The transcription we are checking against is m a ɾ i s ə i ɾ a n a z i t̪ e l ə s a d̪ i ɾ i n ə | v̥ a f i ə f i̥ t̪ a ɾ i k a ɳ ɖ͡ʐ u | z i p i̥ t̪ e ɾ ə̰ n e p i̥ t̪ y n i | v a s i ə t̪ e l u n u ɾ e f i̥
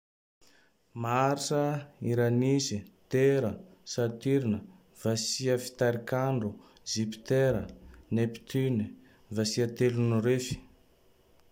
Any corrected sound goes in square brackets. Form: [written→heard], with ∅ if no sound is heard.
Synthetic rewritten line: m a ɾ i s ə i ɾ a n [a→i] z i t̪ e [l→ɾ] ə s a [d̪→t̪] i ɾ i n ə | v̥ a [f→s] i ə f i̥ t̪ a ɾ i k a ɳ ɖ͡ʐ u | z i p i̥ t̪ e ɾ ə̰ n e p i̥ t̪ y n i | v a s i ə t̪ e l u n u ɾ e f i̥